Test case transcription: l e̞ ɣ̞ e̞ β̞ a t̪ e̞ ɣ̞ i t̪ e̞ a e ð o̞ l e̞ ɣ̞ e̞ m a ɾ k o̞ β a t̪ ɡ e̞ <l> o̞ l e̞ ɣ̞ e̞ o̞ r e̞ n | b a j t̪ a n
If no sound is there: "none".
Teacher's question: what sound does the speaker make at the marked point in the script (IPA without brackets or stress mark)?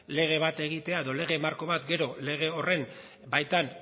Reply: ɾ